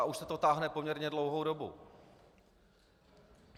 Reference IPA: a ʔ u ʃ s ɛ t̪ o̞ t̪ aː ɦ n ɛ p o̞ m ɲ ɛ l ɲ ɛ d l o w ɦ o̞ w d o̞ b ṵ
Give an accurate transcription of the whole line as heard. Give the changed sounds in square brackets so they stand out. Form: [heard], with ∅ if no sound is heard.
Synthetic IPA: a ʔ u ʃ s ɛ t̪ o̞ t̪ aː ɦ n ɛ p o̞ m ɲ ɛ [ɾ] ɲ ɛ d l o w ɦ o̞ w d o̞ b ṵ